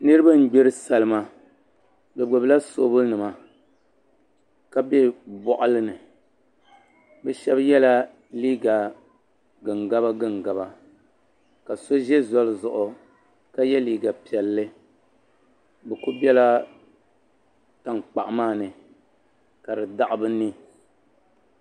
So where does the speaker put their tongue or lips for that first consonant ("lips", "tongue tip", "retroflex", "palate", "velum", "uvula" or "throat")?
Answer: tongue tip